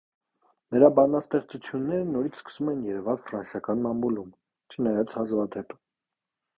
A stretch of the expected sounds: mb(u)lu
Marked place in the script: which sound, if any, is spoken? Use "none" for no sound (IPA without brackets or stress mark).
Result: u